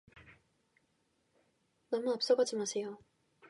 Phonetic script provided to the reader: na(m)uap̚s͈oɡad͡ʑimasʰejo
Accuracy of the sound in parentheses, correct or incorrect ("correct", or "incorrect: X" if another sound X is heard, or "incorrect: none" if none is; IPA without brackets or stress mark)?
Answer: correct